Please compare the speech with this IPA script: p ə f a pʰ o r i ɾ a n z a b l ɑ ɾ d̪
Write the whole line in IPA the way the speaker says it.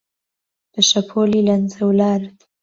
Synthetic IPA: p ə ʃ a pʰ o l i l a n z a w l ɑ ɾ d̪

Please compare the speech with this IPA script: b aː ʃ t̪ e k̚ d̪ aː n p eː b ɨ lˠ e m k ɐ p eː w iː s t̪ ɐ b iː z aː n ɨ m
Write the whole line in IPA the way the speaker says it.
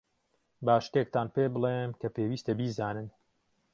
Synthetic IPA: b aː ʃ t̪ e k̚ t̪ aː n p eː b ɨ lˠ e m k ɐ p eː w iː s t̪ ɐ b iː z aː n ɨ n

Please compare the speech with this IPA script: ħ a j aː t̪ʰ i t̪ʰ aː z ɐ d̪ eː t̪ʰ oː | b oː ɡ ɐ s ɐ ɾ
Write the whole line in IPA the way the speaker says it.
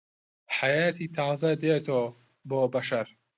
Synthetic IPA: ħ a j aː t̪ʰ i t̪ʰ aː z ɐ d̪ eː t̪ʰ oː | b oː b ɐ ʃ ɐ ɾ

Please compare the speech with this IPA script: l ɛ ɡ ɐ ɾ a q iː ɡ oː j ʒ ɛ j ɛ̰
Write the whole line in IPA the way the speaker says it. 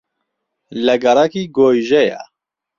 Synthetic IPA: l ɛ ɡ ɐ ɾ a k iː ɡ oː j ʒ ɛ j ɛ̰

